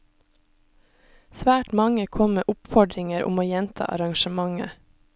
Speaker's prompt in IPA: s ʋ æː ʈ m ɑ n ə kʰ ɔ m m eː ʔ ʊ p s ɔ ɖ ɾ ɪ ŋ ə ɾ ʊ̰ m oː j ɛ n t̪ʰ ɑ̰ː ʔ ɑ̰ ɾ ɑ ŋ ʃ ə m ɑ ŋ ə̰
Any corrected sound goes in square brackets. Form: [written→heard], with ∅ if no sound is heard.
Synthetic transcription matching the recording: s ʋ æː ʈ m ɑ [n→ŋ] ə kʰ ɔ m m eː ʔ ʊ p [s→f] ɔ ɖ ɾ ɪ ŋ ə ɾ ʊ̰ m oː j ɛ n t̪ʰ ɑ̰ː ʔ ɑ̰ ɾ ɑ ŋ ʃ ə m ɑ ŋ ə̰